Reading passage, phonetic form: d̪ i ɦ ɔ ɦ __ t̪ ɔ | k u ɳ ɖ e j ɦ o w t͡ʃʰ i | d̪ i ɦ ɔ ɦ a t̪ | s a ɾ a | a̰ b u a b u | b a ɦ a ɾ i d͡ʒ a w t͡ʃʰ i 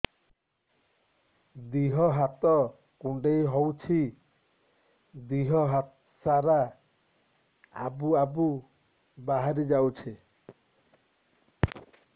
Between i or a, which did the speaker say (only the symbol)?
a